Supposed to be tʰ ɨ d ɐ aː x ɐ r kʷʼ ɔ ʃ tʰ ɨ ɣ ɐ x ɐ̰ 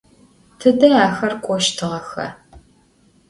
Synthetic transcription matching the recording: tʰ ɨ d ɐ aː x ɐ r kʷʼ ɔ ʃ tʰ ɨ ʁ ɐ x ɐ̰